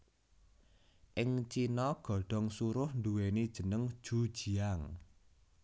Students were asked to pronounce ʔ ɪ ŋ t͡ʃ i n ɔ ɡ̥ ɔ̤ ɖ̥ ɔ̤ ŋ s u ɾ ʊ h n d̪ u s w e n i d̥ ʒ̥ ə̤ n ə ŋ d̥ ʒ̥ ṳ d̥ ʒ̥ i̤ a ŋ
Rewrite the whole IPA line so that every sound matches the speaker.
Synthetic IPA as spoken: ʔ ɪ ŋ t͡ʃ i n ɔ ɡ̥ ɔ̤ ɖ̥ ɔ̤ ŋ s u ɾ ʊ h n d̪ u w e n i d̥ ʒ̥ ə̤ n ə ŋ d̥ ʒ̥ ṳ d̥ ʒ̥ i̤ a ŋ